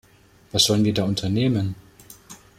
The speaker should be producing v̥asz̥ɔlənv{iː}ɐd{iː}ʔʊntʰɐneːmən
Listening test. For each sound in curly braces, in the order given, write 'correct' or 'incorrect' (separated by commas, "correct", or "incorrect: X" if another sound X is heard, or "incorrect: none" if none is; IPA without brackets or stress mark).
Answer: correct, incorrect: aː